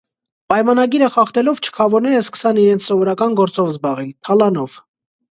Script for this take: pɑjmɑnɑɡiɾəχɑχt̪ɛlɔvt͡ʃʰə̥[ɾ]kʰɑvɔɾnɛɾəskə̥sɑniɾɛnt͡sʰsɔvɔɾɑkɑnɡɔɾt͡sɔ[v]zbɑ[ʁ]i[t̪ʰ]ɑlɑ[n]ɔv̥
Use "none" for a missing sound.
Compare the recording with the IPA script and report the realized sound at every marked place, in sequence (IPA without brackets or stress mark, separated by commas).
none, v, ʁ, t̪ʰ, n